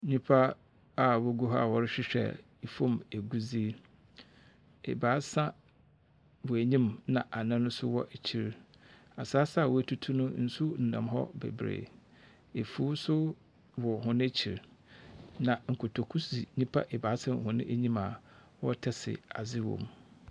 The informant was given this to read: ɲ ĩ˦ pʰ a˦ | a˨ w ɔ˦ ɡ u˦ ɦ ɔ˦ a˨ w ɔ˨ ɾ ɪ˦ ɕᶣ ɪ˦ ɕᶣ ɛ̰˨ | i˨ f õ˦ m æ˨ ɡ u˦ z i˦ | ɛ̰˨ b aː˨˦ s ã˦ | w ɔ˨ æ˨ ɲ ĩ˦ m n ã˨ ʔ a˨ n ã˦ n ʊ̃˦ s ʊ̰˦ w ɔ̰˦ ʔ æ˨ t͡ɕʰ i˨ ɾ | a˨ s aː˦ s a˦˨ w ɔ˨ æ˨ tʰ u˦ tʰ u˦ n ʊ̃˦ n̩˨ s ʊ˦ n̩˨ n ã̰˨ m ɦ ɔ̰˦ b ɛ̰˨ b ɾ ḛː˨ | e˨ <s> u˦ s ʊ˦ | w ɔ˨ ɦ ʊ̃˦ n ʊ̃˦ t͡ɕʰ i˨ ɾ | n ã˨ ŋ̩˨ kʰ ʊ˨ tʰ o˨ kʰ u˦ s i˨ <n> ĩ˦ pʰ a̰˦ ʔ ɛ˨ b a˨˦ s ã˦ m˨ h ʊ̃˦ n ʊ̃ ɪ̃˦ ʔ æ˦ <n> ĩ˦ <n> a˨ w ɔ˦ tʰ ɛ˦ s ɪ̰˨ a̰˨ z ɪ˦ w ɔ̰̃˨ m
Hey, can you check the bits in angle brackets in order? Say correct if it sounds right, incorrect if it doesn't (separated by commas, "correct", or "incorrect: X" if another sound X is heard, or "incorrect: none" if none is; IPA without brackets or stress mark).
incorrect: f, incorrect: ɲ, incorrect: ɲ, incorrect: m